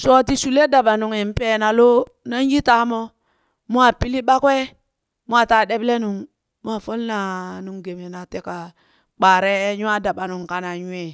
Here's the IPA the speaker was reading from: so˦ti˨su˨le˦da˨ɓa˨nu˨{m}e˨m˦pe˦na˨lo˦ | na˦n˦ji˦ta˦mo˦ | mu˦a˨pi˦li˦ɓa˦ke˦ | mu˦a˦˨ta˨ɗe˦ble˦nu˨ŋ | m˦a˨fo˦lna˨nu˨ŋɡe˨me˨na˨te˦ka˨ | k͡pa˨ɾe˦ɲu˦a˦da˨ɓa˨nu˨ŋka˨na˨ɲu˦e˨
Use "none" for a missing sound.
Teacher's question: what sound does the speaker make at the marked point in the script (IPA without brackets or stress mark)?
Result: ŋ